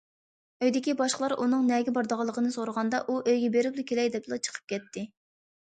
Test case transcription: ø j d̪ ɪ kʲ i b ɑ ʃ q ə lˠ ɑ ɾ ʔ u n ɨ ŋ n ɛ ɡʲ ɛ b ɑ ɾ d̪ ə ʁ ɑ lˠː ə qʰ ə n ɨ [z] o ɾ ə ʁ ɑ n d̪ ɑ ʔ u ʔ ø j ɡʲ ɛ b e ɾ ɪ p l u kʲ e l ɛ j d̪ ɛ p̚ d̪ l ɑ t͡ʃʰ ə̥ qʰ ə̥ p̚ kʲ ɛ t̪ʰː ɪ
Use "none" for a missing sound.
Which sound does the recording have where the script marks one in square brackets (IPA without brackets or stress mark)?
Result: s